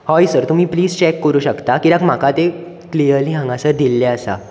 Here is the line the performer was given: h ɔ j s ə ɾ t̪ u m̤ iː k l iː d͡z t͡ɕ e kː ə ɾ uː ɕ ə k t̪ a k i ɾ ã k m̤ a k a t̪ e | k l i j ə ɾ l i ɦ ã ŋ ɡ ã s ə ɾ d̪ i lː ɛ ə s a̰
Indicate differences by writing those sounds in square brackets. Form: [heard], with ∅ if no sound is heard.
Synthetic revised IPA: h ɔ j s ə ɾ t̪ u m̤ iː [p] l iː d͡z t͡ɕ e kː ə ɾ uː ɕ ə k t̪ a k i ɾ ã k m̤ a k a t̪ e | k l i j ə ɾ l i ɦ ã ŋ ɡ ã s ə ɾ d̪ i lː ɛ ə s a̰